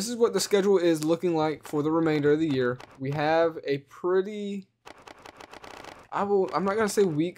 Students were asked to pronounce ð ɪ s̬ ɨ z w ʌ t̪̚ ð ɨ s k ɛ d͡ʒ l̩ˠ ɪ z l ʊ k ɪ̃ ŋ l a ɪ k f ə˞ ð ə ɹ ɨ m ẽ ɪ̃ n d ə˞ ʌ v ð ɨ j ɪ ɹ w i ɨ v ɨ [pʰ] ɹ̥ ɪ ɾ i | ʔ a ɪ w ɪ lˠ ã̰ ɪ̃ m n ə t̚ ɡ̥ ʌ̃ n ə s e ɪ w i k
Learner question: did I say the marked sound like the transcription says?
yes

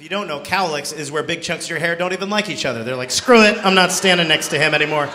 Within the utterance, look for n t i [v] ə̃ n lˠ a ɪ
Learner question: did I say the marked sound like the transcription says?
yes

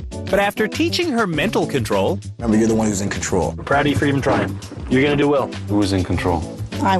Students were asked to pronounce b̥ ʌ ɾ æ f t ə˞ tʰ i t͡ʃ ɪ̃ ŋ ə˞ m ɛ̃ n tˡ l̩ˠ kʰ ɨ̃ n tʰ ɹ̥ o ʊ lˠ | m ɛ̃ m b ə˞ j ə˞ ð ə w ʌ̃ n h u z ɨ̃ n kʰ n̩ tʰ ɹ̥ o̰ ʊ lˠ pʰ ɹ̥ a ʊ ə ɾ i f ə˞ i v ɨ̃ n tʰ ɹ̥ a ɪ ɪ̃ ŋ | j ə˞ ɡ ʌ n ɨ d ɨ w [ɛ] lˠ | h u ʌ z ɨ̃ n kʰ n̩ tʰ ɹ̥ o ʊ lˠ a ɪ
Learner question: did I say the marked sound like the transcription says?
yes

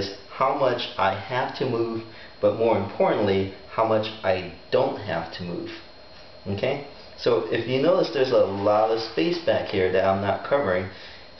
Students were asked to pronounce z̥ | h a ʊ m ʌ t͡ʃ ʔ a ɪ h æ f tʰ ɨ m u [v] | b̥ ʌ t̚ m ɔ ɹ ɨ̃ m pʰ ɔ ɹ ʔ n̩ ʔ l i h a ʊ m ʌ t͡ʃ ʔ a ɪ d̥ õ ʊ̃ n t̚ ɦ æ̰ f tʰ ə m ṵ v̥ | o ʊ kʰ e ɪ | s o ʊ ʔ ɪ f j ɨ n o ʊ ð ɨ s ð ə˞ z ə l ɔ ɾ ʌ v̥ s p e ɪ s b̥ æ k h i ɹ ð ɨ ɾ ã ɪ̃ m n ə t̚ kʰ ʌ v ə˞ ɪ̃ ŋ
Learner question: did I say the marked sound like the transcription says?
yes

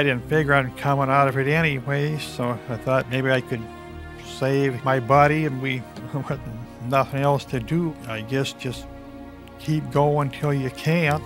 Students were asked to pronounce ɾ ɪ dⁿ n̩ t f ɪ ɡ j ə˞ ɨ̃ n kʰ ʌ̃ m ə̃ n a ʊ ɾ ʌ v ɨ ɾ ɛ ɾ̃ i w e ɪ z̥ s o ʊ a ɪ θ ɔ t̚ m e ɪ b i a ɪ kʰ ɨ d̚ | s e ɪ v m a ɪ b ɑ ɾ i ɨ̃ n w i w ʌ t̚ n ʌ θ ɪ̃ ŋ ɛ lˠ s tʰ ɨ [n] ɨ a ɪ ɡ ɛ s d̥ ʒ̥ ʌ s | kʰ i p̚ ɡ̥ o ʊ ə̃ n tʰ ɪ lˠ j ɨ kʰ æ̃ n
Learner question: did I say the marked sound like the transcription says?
no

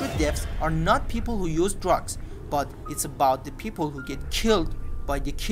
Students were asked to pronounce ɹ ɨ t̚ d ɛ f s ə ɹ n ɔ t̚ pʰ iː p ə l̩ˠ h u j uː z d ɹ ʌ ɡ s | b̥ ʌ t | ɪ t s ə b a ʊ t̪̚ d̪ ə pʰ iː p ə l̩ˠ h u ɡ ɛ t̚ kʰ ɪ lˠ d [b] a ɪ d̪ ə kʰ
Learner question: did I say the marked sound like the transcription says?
yes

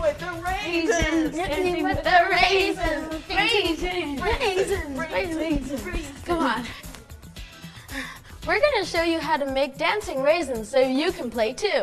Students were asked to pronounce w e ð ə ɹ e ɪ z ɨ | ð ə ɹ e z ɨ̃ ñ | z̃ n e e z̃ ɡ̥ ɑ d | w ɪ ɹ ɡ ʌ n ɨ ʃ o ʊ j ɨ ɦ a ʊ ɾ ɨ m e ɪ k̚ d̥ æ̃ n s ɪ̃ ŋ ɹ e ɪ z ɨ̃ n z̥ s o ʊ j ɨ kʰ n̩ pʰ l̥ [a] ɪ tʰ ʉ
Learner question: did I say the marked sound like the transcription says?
no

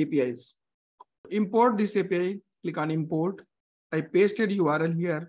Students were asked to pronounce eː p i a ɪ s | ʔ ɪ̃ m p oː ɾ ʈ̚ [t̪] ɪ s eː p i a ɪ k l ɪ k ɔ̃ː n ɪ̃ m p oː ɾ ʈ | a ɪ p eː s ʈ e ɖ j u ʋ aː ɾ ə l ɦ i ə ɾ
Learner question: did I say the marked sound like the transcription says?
no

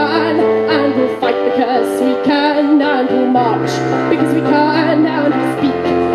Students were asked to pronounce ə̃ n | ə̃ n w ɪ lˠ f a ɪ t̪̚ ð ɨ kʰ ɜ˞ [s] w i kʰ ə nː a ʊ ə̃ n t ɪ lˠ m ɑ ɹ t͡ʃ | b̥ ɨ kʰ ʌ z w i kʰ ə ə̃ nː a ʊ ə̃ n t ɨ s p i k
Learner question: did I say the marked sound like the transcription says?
yes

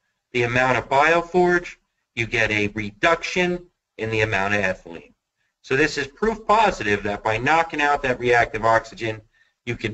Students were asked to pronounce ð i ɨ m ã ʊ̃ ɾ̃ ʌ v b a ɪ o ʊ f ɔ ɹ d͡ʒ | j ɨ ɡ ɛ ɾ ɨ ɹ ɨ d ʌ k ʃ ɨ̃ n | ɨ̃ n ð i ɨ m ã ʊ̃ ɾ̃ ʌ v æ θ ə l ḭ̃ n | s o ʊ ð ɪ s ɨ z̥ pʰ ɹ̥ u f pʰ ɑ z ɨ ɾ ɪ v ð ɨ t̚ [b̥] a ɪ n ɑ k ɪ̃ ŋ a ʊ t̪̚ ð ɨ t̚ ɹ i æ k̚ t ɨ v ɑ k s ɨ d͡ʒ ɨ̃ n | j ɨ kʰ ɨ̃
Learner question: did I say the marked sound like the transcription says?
yes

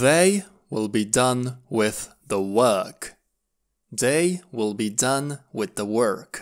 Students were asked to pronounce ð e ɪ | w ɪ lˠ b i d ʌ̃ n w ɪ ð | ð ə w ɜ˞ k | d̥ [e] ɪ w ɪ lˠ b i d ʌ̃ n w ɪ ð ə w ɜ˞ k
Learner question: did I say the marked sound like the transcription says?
yes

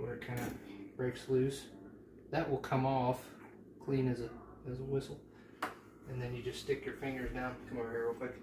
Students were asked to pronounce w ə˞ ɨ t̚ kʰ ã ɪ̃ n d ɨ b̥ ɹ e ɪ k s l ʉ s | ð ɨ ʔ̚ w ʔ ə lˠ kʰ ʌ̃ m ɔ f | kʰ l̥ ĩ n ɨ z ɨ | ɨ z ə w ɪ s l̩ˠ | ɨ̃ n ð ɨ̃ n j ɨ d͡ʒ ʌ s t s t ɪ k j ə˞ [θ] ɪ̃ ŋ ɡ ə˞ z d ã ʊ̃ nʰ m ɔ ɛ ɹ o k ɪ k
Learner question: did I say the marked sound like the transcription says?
no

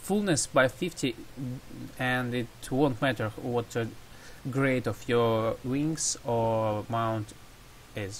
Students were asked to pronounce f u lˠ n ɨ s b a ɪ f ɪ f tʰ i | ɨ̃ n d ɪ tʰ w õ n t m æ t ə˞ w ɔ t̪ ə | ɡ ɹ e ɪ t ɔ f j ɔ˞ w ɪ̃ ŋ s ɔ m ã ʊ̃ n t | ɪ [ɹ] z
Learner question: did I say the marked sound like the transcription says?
no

